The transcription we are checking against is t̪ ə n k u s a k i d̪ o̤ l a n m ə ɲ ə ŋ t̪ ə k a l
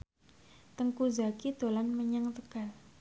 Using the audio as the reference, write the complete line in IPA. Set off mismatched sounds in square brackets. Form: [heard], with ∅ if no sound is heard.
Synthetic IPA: t̪ ə [ŋ] k u [z] a k i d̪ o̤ l a n m ə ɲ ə ŋ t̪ ə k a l